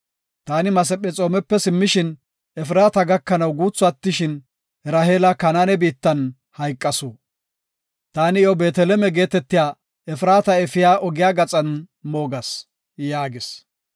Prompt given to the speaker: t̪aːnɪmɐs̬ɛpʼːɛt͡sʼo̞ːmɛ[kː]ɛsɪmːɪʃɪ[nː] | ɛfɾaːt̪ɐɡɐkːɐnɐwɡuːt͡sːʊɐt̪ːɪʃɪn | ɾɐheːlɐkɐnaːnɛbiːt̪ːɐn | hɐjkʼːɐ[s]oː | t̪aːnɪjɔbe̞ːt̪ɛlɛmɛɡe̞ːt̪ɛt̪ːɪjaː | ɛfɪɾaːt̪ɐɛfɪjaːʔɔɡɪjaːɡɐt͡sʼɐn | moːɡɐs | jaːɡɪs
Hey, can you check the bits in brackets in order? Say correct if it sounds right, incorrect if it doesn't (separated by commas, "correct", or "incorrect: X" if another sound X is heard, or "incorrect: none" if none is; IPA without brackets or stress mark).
incorrect: pː, incorrect: n, correct